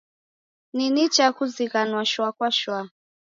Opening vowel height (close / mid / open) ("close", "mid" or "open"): close